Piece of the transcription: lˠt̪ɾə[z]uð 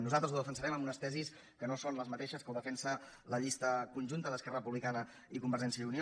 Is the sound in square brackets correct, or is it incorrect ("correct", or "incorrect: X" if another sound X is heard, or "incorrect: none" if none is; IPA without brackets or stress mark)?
correct